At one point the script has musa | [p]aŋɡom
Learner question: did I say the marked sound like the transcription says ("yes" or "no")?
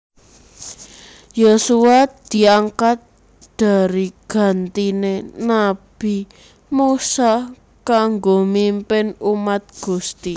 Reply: no